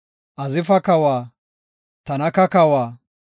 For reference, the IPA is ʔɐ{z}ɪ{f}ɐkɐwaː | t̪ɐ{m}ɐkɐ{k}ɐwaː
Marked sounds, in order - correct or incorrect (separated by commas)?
correct, correct, incorrect, correct